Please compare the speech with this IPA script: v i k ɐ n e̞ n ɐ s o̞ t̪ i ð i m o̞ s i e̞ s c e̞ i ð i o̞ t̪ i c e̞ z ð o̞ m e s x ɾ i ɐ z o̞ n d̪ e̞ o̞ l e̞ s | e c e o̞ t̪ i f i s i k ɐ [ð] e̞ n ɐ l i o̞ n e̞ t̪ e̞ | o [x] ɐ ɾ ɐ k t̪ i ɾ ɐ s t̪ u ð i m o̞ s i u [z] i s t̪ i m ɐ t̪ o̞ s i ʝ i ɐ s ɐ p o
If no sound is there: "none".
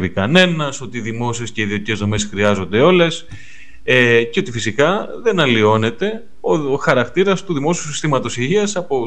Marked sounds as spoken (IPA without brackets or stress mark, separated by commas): ð, x, s